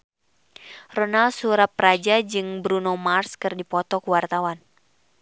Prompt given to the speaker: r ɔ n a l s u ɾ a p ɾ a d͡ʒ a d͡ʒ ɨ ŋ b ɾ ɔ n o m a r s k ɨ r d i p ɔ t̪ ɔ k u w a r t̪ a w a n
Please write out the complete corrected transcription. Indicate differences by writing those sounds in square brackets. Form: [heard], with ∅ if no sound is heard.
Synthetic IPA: r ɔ n a l s u ɾ a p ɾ a d͡ʒ a d͡ʒ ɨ ŋ b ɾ [u] n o m a r s k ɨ r d i p ɔ t̪ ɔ k u w a r t̪ a w a n